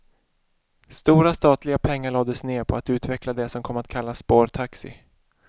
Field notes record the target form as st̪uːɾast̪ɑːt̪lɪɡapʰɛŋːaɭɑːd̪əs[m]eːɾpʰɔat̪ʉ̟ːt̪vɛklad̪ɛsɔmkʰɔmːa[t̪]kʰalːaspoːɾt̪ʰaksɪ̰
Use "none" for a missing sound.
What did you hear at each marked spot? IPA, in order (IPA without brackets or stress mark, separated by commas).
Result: n, t̪